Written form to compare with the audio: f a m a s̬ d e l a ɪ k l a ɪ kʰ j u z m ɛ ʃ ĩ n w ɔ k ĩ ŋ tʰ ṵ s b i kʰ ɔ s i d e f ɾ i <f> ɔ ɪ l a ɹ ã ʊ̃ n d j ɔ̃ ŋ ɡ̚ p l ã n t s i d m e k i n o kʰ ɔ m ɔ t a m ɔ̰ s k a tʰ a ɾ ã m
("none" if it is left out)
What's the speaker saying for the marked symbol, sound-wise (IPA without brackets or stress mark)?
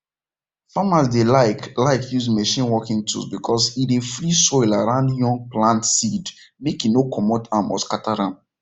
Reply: s